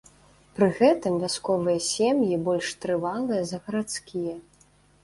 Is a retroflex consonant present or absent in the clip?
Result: present